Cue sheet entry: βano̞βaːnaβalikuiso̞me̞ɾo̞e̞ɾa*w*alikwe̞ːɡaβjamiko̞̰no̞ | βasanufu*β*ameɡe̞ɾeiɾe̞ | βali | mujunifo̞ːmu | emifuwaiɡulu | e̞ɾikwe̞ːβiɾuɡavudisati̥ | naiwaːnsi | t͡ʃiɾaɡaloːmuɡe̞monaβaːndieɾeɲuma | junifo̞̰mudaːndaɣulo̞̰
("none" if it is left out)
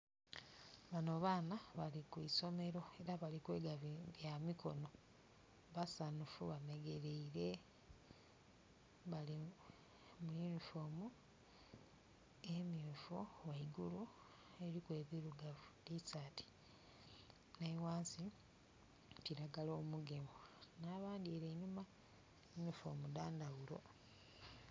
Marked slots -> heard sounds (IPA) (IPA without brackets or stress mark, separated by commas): β, β